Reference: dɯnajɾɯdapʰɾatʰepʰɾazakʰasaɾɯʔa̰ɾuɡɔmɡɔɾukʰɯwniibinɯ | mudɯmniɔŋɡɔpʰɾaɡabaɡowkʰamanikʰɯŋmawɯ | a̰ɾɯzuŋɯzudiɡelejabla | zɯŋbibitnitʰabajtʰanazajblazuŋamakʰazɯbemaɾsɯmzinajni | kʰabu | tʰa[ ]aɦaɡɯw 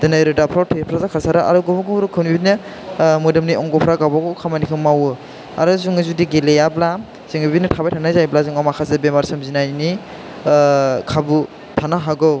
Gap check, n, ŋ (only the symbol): n